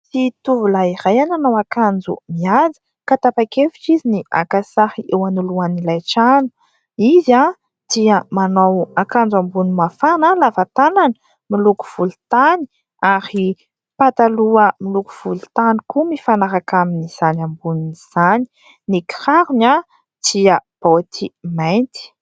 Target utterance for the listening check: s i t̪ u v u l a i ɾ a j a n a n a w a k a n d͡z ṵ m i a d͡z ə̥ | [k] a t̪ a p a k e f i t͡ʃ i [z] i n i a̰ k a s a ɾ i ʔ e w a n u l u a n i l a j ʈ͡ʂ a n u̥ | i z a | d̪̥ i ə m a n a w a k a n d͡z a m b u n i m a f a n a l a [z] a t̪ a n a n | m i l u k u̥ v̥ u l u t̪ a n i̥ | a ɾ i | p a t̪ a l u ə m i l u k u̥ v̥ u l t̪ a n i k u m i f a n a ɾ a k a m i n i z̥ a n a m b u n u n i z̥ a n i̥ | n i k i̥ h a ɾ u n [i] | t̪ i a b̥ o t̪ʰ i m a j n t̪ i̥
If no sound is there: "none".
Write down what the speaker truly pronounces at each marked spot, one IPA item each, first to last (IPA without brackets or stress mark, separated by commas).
k, z, v, a